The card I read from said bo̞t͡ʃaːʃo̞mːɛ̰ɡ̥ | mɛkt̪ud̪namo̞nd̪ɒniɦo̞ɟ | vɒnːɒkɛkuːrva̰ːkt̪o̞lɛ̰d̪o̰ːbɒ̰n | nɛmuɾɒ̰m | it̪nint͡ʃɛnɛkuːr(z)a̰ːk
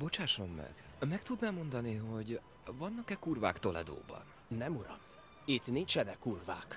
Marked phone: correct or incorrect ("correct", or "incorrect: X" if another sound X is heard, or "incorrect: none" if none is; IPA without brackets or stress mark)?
incorrect: v